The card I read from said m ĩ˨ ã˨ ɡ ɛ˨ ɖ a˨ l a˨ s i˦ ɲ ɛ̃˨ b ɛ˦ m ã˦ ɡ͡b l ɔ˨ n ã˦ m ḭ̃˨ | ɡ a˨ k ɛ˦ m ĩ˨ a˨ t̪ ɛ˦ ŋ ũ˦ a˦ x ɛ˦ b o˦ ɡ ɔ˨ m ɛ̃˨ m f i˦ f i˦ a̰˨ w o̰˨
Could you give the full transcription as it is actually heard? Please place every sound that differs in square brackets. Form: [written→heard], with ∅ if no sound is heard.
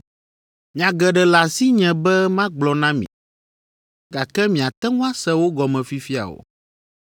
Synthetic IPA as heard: m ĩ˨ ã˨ ɡ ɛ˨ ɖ [a˨→ɛ˨] l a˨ s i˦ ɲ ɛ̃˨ b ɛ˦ m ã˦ ɡ͡b l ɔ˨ n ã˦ m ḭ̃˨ | ɡ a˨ k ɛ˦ m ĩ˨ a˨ t̪ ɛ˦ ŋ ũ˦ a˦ [x→s] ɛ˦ [b→w] o˦ ɡ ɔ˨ m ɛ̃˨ [m→∅] f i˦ f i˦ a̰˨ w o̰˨